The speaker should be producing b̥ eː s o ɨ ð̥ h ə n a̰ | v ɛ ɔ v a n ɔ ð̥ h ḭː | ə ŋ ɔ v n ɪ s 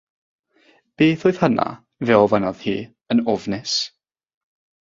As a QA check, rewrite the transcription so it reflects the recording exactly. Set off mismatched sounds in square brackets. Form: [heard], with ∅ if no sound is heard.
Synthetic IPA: b̥ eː [θ] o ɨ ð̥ h ə n a̰ | v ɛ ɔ v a n ɔ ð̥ h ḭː | ə [n] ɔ v n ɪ s